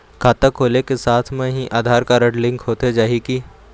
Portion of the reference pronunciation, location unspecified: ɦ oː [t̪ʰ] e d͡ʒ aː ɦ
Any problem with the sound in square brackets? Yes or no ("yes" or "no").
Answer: yes